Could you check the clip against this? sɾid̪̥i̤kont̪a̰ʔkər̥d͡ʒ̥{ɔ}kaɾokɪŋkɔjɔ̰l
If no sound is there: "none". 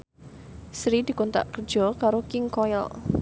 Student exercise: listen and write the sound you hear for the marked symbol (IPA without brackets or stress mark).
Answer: ɔ